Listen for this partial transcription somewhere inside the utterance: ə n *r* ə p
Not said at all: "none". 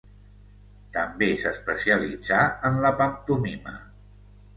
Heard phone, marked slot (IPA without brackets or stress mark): l